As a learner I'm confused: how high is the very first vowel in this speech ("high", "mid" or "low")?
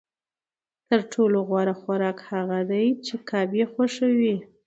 mid